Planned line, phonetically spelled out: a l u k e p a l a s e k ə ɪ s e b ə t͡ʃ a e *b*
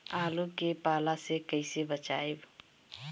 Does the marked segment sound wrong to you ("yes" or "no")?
no